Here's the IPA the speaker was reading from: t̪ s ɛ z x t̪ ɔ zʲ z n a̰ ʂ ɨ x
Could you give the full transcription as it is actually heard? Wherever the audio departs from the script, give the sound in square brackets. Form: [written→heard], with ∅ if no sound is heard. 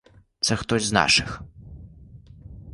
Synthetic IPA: t̪ s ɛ [z→∅] x t̪ ɔ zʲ z n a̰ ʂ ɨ x